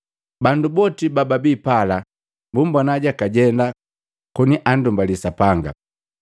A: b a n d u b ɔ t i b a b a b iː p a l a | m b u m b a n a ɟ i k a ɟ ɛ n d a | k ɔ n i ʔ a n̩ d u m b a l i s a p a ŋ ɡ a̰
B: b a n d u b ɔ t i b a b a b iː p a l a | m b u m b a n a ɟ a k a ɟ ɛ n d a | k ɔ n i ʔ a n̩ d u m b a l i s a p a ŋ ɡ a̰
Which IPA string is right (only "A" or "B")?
B